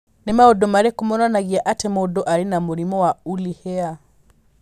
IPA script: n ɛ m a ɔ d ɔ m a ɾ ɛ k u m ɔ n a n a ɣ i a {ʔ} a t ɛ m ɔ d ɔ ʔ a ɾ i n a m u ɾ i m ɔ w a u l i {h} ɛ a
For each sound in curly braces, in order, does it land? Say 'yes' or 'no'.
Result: yes, yes

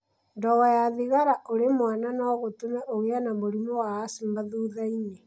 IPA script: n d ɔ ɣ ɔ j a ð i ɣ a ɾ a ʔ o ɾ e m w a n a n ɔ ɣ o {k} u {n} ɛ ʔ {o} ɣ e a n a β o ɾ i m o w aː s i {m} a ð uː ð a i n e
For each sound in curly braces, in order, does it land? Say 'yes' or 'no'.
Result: no, no, yes, yes

